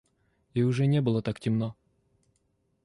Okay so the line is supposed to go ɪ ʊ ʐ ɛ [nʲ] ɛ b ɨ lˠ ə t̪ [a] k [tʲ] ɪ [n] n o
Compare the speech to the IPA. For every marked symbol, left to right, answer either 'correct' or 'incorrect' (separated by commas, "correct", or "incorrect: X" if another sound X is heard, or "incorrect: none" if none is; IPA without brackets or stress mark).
correct, correct, correct, incorrect: m